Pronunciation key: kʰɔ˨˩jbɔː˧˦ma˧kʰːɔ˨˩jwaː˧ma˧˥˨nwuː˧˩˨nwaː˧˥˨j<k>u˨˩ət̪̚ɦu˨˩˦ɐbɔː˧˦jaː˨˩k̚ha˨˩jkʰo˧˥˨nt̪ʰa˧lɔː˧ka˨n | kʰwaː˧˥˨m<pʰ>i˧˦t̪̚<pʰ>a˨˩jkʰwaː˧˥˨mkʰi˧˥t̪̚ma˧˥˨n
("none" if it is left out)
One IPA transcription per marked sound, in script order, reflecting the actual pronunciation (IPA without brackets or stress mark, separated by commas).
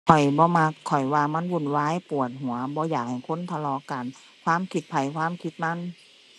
p, kʰ, pʰ